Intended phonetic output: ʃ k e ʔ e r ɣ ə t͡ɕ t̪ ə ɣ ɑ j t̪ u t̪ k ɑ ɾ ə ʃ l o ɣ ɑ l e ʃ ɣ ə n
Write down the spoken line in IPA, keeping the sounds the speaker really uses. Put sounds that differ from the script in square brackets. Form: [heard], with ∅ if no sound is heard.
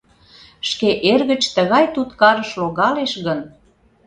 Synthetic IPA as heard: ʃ k e ʔ e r ɣ ə t͡ɕ t̪ ə ɣ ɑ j t̪ u t̪ k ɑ ɾ ə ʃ l o ɣ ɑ l e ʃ ɣ ə n